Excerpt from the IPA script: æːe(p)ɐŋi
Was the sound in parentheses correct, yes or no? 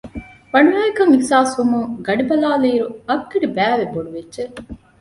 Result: no